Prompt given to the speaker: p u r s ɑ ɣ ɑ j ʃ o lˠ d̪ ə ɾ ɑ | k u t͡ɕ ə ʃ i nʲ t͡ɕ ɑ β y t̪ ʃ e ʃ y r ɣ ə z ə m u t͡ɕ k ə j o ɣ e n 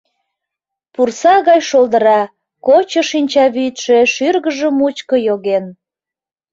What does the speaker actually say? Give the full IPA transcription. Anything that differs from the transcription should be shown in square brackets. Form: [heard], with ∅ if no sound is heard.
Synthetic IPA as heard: p u r s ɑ ɣ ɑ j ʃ o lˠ d̪ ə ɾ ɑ | k [o] t͡ɕ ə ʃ i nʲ t͡ɕ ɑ β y t̪ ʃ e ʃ y r ɣ ə [ʒ] ə m u t͡ɕ k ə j o ɣ e n